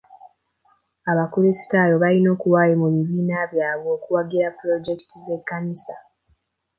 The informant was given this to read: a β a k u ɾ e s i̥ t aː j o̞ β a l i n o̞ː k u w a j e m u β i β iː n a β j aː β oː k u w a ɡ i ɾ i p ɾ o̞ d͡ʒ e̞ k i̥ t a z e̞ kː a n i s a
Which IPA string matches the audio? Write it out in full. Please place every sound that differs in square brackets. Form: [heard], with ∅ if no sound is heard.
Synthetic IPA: a β a k u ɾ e s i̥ t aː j o̞ β a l i n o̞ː k u w a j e m u β i β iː n a β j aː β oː k u w a ɡ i ɾ [a] p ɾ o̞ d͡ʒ e̞ k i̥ t [i] z e̞ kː a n i s a